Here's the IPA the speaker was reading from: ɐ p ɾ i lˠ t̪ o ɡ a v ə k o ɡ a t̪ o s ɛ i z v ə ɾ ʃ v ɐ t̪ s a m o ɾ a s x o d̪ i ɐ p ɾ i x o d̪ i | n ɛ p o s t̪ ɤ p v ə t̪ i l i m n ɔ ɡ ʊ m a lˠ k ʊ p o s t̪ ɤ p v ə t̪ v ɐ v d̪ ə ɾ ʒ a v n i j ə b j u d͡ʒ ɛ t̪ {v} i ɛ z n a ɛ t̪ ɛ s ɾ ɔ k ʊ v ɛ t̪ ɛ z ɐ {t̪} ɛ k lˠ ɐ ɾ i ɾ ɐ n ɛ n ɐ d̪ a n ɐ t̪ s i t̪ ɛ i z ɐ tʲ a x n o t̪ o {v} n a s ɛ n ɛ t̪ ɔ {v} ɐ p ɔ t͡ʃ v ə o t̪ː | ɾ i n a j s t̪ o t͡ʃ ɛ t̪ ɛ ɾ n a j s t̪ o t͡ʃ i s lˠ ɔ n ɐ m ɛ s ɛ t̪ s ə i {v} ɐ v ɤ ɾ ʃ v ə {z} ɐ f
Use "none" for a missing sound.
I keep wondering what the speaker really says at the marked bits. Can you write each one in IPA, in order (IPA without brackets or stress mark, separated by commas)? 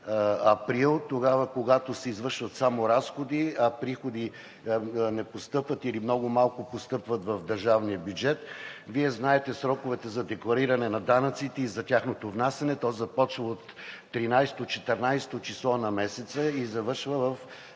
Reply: v, d̪, v, z, z, v